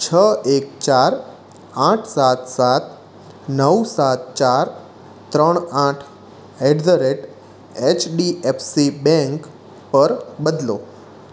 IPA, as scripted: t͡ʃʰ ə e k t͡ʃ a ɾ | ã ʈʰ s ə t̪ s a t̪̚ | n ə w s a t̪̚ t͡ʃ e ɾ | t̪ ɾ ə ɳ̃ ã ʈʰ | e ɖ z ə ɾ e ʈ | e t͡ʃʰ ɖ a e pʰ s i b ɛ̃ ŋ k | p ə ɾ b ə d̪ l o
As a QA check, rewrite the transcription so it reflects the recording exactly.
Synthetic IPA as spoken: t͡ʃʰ ə e k t͡ʃ a ɾ | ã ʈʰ s a t̪ s a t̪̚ | n ə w s a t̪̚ t͡ʃ a ɾ | t̪ ɾ ə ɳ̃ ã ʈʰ | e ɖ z ə ɾ e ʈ | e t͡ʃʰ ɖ i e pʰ s i b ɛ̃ ŋ k | p ə ɾ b ə d̪ l o